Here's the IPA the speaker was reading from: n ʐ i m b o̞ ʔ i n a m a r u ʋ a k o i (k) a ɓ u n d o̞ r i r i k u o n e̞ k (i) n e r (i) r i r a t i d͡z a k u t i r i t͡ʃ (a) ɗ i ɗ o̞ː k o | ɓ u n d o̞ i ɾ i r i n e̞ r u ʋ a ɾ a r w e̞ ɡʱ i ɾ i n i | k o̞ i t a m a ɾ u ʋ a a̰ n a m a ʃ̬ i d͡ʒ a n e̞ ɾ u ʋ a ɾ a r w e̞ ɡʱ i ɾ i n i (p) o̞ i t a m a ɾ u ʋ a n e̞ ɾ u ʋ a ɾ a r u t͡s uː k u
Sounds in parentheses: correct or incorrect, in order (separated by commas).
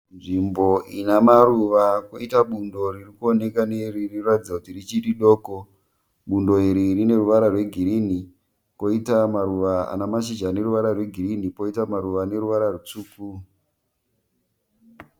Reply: incorrect, incorrect, correct, incorrect, correct